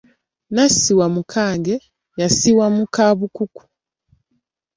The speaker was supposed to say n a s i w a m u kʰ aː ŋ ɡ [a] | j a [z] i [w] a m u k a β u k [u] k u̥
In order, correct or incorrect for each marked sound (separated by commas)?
incorrect, incorrect, correct, correct